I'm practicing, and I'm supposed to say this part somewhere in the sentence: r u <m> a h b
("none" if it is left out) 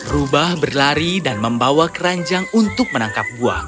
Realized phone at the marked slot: b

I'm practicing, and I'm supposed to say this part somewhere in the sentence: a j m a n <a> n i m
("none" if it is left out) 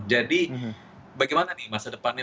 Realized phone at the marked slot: a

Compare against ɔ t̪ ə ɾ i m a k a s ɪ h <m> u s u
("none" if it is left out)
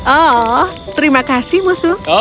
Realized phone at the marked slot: m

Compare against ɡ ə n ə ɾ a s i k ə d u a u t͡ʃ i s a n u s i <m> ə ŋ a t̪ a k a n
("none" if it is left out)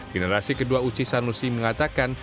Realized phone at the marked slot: m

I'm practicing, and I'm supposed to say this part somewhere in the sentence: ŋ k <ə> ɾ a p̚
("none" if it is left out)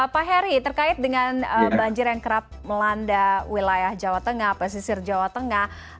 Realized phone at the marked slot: ə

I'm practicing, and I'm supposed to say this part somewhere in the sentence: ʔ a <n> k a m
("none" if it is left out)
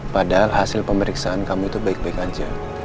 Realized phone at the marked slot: n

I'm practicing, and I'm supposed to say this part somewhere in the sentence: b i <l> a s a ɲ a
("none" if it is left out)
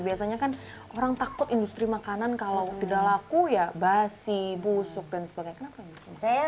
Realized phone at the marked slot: none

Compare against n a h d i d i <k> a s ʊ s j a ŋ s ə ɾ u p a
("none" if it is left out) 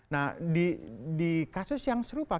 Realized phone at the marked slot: k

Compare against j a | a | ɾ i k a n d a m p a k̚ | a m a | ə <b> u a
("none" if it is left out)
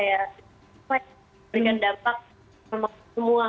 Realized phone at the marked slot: m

